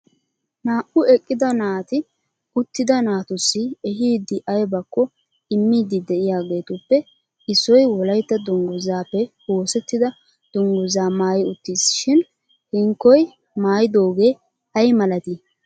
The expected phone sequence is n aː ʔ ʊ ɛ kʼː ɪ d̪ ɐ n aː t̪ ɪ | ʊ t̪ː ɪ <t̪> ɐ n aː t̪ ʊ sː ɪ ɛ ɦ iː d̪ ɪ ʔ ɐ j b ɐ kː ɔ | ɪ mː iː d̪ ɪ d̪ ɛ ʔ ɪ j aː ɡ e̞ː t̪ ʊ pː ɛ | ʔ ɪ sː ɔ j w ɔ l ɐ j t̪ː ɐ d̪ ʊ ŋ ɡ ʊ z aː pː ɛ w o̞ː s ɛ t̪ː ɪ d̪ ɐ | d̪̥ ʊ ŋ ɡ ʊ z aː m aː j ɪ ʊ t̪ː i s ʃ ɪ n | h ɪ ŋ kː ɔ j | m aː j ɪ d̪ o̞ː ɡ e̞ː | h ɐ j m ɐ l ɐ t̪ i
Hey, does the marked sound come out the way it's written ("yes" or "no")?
no